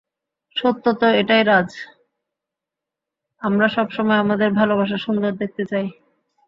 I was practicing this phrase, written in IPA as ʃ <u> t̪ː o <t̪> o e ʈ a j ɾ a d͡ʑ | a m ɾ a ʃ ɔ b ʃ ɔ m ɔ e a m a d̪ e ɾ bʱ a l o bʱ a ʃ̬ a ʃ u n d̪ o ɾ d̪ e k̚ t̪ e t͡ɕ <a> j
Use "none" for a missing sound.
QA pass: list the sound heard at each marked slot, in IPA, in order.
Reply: o, t̪, a

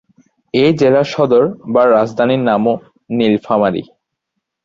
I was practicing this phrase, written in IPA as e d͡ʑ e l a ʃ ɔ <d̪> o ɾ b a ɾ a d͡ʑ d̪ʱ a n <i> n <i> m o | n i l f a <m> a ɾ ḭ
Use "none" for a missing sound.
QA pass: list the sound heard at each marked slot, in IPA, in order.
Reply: d̪, i, a, m

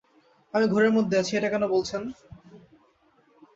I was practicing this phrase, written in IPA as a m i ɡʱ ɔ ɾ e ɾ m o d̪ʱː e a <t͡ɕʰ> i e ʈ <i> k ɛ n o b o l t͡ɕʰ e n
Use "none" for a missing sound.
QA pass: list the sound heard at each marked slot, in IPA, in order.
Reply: t͡ɕʰ, a

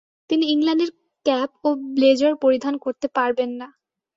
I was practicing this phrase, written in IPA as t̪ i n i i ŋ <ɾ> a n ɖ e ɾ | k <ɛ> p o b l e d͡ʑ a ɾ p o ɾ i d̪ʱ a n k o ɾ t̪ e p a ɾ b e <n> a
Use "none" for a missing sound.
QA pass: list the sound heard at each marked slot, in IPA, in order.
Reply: l, ɛ, nː

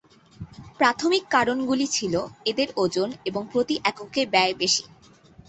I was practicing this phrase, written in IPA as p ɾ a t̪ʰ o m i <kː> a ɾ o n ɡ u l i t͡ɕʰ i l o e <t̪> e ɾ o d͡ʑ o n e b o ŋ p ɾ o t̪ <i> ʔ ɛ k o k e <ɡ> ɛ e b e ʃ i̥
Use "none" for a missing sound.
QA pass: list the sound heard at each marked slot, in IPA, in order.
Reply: kː, d̪, i, b

